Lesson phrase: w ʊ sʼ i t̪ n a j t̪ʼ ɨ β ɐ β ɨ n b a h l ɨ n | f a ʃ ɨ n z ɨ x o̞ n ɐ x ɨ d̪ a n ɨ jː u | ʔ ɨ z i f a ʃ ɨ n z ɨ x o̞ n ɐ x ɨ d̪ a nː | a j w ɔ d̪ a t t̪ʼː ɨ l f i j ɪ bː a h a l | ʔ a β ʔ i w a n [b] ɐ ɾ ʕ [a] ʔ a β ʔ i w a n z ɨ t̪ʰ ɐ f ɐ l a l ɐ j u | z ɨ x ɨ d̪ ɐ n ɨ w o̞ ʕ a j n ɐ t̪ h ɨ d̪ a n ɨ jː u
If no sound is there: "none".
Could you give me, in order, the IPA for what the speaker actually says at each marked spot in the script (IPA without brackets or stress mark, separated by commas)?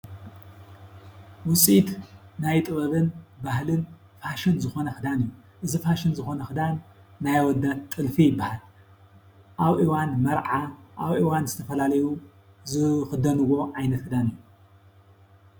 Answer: m, a